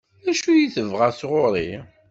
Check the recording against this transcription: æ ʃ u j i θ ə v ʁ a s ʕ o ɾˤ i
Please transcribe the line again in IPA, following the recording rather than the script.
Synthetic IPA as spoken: æ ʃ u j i θ ə v ʁ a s ʁ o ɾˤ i